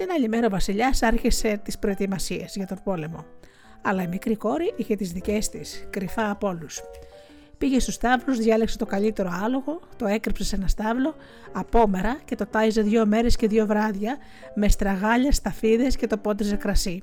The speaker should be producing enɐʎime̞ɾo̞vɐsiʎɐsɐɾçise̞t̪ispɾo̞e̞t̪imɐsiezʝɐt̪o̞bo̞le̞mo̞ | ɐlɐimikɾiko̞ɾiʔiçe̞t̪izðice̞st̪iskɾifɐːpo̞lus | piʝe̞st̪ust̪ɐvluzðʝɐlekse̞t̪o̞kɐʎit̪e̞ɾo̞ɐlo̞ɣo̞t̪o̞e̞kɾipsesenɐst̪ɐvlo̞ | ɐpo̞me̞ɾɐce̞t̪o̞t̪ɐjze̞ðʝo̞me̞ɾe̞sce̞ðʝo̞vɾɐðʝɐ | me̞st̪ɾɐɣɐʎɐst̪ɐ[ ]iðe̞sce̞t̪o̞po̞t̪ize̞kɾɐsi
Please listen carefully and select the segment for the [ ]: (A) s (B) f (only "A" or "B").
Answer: B